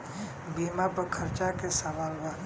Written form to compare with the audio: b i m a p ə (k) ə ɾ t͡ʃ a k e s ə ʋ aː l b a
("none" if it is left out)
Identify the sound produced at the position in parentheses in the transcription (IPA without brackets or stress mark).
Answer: kʰ